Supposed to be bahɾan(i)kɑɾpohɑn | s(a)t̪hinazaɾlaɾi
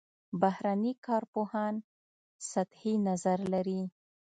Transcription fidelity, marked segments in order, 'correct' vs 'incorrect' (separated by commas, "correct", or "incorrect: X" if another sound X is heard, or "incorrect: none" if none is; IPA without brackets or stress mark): correct, correct